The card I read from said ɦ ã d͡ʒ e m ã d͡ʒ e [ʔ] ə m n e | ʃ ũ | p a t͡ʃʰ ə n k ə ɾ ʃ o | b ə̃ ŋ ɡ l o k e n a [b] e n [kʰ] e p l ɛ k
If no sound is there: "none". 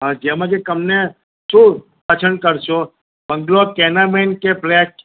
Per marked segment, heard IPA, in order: k, m, k

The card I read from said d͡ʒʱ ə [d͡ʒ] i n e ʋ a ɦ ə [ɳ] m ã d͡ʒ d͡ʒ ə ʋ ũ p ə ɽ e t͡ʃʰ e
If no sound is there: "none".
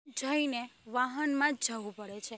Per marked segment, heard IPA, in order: none, n

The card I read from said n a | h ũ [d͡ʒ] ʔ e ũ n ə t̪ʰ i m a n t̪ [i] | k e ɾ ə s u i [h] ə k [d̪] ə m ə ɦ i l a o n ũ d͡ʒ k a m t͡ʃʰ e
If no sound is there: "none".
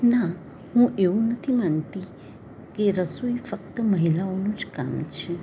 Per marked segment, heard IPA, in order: none, i, f, t̪

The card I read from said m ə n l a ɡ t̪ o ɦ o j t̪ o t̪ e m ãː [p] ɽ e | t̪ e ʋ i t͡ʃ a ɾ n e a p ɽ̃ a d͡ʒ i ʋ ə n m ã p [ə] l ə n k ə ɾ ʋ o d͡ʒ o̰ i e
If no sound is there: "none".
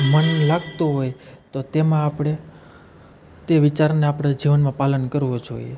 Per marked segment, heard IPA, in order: p, a

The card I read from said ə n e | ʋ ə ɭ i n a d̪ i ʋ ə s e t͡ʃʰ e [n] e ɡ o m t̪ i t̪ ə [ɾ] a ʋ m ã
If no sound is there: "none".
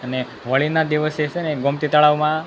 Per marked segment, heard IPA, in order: n, ɭ

